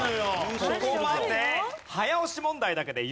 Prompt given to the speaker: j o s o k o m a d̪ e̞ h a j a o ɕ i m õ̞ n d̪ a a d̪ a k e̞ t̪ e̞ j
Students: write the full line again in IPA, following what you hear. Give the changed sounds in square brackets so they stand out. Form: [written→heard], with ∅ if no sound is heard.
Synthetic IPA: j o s o k o m a d̪ e̞ h a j a o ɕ i m õ̞ n d̪ a [a→i] d̪ a k e̞ [t̪→d̪] e̞ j